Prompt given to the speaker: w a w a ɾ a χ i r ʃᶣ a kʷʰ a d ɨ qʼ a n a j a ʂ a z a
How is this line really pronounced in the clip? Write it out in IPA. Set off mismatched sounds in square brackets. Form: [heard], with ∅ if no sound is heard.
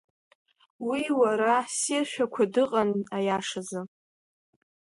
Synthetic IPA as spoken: w [i] w a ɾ a [s] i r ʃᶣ a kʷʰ a d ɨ qʼ a n a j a ʂ a z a